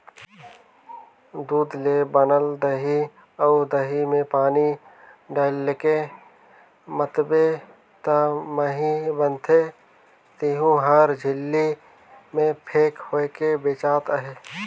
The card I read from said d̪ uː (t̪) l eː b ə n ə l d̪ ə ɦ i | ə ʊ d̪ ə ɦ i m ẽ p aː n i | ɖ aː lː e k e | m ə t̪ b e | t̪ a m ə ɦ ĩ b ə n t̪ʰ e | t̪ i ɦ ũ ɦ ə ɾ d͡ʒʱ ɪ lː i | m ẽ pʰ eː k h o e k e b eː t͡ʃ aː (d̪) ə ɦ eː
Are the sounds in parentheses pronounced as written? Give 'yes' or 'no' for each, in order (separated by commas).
no, no